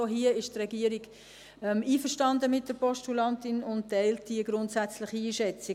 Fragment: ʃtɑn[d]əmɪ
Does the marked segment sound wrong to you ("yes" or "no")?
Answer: no